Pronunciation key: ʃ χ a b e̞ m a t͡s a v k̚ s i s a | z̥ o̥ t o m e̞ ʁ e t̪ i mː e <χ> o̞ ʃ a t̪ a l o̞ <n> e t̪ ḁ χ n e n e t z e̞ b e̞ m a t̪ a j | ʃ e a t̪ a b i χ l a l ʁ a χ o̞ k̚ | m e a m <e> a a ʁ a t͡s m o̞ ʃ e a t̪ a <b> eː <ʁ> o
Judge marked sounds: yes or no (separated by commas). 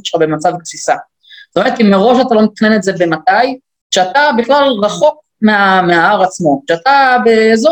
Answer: no, no, yes, yes, no